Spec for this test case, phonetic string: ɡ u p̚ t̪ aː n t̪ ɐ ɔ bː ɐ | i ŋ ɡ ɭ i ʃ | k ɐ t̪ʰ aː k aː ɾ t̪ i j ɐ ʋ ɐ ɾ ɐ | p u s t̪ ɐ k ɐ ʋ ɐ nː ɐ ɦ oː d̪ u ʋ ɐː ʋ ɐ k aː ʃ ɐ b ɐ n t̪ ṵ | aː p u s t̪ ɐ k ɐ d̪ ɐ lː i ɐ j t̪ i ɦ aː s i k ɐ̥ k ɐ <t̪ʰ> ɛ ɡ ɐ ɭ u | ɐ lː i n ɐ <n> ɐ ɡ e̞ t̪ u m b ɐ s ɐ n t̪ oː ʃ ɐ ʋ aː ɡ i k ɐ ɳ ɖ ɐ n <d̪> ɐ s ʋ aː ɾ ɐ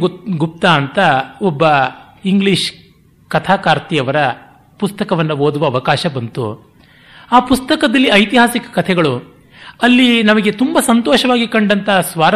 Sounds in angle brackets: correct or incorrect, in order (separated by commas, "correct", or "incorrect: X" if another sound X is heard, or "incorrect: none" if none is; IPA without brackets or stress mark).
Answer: correct, incorrect: m, incorrect: t̪